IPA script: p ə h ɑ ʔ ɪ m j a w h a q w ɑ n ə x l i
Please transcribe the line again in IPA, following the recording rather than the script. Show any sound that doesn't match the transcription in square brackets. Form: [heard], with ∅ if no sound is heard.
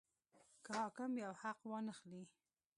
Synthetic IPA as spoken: [k] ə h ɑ [k] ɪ m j a w h a q w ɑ n ə x l i